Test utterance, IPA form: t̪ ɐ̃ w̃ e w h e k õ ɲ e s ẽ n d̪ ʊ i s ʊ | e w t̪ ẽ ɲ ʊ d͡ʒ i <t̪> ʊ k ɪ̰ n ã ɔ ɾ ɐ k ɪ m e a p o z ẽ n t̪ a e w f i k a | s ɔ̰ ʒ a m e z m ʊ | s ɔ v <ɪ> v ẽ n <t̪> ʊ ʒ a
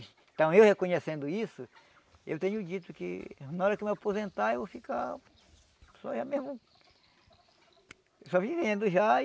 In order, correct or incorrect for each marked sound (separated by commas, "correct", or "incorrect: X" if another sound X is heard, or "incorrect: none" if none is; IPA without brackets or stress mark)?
correct, incorrect: i, incorrect: d̪